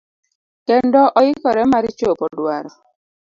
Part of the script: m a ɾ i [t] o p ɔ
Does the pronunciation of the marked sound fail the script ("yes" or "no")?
yes